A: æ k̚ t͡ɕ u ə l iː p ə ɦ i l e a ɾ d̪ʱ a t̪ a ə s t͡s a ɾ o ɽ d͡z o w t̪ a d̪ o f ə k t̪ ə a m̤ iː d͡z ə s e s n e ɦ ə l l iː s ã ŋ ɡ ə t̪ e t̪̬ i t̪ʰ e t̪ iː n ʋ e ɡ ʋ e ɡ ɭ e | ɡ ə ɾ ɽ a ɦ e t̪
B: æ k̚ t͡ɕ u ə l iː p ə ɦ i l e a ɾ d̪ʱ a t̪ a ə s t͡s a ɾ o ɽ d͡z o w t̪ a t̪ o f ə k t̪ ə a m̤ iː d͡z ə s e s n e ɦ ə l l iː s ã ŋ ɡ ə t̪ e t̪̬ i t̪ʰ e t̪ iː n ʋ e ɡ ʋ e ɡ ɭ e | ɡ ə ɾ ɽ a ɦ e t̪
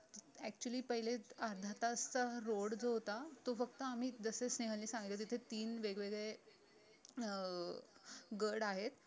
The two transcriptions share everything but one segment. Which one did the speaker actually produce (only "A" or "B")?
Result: B